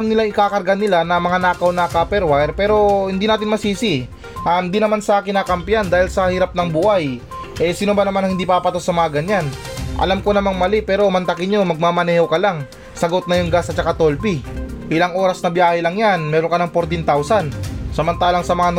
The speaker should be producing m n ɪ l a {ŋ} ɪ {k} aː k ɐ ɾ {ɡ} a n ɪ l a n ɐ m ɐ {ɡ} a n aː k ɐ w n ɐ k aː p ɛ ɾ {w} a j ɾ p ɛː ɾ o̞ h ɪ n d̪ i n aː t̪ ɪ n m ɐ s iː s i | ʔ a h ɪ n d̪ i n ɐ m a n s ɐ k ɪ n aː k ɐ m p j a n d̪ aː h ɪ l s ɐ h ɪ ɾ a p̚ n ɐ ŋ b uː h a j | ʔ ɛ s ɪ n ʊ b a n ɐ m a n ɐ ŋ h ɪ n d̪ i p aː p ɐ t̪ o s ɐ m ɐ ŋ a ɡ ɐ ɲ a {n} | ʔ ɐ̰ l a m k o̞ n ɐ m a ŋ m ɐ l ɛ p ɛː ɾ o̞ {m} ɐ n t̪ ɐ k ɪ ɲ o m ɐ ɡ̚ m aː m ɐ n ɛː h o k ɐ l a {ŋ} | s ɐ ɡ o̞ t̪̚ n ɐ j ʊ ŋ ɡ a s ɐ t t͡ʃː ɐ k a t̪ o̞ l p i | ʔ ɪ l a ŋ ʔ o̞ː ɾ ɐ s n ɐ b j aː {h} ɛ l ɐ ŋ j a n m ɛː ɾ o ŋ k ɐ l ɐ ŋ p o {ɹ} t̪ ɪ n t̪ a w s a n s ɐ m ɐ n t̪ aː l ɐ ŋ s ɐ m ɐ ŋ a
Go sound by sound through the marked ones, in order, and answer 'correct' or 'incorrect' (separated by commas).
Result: correct, correct, correct, incorrect, correct, correct, correct, correct, correct, incorrect